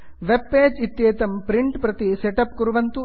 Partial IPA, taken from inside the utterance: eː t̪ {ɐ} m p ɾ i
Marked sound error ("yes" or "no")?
no